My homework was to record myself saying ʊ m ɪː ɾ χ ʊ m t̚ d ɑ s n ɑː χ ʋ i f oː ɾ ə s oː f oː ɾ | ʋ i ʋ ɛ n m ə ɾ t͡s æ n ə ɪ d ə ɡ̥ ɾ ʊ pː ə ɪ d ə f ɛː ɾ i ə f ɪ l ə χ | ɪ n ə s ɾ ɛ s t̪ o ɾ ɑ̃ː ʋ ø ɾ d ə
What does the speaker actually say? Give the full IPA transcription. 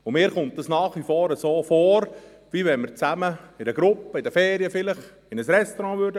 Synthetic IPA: ʊ m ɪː ɾ χ ʊ m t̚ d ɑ s n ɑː χ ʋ i f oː ɾ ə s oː f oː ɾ | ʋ i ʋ ɛ n m ə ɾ t͡s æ m ə ɪ d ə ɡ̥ ɾ ʊ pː ə ɪ d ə f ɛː ɾ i ə f ɪ l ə χ | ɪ n ə s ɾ ɛ s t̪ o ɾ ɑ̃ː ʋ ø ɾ d ə

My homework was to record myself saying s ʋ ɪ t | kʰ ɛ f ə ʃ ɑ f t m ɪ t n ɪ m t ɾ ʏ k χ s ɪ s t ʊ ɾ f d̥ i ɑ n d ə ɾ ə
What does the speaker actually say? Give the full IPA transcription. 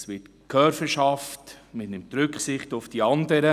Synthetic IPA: s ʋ ɪ t | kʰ œ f ə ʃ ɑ f t m ɪ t n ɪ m t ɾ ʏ k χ s ɪ χ t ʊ f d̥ i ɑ n d ə ɾ ə

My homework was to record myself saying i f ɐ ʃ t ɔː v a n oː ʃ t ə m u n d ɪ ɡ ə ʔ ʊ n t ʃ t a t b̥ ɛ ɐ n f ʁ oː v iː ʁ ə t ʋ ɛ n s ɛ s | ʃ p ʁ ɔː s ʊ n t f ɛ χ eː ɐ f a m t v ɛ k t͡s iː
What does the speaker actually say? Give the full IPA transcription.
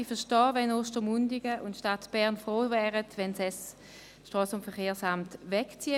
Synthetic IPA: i f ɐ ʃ t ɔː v ɛ n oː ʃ t ə m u n d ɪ ɡ ə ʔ ʊ n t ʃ t a t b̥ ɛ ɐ n f ʁ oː v ɛː ʁ ə t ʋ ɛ n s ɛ s | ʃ t ʁ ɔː s ʊ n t f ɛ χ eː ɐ s a m t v ɛ k t͡s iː

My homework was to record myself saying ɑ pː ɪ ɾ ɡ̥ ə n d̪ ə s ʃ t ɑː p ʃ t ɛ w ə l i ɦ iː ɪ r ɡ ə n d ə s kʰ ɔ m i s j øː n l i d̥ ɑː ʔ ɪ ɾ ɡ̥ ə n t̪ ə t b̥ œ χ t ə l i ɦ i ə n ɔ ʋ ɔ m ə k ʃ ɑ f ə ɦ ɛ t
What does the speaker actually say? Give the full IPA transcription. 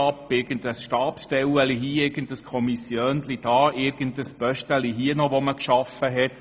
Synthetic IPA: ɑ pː ɪ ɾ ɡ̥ ə n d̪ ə s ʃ t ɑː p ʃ t ɛ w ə l i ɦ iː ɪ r ɡ ə n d ə s kʰ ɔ m i s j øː n l i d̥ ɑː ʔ ɪ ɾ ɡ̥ ə n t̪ ə s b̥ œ ʃ t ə l i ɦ i ə n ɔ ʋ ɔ m ə k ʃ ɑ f ə ɦ ɛ t

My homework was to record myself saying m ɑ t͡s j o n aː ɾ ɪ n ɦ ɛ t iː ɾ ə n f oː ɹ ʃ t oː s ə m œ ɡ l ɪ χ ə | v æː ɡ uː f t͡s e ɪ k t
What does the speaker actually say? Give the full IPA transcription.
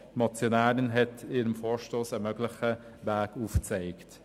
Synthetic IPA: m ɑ t͡s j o n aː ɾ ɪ n ɦ ɛ t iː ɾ ə m f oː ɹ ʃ t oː s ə m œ ɡ l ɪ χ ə | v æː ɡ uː f t͡s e ɪ k t

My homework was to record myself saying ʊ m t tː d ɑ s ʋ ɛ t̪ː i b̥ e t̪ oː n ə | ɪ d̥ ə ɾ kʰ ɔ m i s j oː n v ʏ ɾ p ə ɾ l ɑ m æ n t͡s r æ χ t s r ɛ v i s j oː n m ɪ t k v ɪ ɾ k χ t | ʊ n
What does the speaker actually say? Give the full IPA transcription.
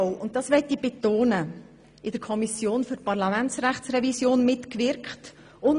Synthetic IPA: ʊ n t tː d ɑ s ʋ ɛ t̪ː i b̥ e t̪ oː n ə | ɪ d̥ ə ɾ kʰ ɔ m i s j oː n f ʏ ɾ p ɑ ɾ l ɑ m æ n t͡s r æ χ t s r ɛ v i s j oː n m ɪ t k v ɪ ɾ k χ t | ʊ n

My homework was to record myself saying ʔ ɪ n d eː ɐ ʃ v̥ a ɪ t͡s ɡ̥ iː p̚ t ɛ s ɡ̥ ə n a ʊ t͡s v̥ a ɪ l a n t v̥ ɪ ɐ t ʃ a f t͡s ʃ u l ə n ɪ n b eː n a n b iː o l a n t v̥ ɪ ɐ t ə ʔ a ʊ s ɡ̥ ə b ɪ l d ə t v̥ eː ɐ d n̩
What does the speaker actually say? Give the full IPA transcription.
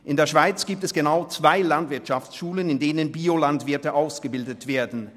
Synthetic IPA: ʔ ɪ n d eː ɐ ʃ v̥ a ɪ t͡s ɡ̥ iː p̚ t ɛ s ɡ̥ ə n a ʊ t͡s v̥ a ɪ l a n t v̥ ɪ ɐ t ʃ a f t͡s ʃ uː l ə n ɪ n d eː n ə n b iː o l a n t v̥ ɪ ɐ t ə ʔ a ʊ s ɡ̥ ə b ɪ l d ə t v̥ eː ɐ d n̩

